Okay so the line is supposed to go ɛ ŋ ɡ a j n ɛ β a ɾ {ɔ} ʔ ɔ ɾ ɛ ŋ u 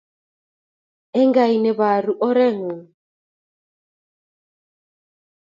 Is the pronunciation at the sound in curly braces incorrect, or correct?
incorrect